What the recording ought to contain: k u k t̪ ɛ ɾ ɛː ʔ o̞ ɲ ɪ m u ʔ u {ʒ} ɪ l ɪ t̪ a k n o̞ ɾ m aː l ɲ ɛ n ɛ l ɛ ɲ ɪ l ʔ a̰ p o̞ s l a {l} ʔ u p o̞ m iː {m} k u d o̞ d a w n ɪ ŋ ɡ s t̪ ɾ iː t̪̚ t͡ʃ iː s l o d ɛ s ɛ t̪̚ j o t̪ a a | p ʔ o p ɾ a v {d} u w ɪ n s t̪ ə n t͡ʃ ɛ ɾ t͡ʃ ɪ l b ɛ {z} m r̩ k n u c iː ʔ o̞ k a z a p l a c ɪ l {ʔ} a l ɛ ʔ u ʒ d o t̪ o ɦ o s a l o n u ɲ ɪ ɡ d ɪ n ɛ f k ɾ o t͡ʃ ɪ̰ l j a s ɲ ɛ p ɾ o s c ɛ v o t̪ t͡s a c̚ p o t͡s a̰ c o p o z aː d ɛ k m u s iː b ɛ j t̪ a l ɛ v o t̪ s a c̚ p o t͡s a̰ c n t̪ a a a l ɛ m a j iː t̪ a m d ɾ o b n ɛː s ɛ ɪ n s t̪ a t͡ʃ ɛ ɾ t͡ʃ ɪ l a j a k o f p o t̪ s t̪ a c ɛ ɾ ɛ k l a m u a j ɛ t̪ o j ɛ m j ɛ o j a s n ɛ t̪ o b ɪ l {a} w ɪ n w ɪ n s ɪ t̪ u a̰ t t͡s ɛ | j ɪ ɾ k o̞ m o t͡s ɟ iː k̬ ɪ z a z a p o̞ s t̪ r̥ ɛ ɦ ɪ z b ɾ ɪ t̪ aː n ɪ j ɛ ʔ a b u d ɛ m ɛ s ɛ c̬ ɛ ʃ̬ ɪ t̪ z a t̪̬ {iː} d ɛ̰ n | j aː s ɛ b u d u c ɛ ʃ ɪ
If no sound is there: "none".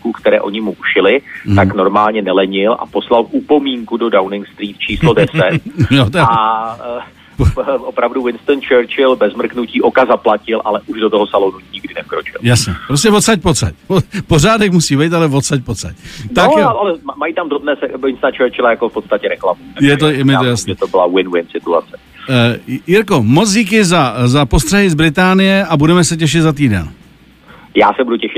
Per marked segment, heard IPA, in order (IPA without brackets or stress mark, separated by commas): ʃ, l, ŋ, d, z, ʔ, a, iː